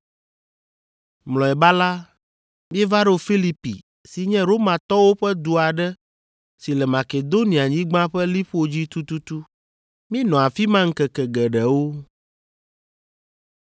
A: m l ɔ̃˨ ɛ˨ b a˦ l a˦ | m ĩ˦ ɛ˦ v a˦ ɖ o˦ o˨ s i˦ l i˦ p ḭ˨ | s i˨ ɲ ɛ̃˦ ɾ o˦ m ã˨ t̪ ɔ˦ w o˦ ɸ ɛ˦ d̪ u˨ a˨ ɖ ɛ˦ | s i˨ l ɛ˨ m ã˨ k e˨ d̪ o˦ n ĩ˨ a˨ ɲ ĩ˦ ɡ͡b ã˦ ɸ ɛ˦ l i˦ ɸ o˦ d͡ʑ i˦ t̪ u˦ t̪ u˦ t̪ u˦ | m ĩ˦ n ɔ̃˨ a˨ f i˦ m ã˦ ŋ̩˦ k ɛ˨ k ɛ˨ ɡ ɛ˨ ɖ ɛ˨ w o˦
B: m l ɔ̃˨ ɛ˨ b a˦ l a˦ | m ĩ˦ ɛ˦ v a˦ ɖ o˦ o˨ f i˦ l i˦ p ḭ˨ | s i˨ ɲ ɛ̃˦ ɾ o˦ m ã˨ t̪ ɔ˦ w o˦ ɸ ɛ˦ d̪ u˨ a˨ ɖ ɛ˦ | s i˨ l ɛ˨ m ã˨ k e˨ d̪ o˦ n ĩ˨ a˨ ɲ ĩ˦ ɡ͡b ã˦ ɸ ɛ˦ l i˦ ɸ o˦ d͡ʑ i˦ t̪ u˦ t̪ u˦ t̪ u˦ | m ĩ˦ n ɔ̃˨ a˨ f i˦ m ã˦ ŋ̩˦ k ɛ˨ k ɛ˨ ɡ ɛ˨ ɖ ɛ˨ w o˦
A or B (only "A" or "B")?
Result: B